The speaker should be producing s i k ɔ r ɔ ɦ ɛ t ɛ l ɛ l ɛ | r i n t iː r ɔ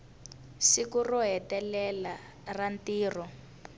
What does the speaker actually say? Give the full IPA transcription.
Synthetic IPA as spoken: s i k u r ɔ ɦ ɛ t ɛ l ɛ l a | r a n t iː r ɔ